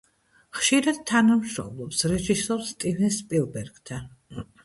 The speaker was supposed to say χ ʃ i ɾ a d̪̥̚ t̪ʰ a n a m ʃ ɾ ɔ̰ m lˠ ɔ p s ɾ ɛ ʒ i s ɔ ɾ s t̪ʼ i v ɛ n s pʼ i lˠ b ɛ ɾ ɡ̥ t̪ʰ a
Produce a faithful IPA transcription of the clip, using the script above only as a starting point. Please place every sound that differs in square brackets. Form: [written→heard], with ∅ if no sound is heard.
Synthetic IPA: χ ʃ i ɾ a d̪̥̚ t̪ʰ a n a m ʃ ɾ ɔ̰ m lˠ ɔ p s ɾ ɛ ʒ i s ɔ ɾ s t̪ʼ i v ɛ n s pʼ i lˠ b ɛ ɾ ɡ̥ t̪ʰ a